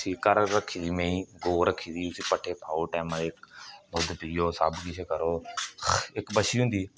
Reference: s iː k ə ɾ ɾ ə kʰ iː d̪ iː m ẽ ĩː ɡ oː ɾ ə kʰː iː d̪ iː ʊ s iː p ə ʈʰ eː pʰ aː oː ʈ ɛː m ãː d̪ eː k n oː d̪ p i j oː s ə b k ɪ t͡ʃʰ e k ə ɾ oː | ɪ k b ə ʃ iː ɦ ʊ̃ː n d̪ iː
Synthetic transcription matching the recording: s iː k ə ɾ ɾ ə kʰ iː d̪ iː m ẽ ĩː ɡ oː ɾ ə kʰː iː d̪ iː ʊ s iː p ə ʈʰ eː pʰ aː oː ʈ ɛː m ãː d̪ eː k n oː d̪ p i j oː s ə b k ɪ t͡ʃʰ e k ə ɾ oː | ɪ k b ə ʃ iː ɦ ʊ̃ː n d̪ iː